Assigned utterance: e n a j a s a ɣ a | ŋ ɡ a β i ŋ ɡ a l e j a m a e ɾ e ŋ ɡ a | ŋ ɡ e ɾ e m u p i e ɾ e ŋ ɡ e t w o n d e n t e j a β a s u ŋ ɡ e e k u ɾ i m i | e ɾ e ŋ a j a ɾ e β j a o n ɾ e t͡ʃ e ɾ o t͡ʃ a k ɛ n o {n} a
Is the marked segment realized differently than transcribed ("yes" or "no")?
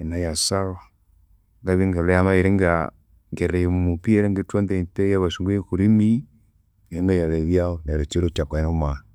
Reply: yes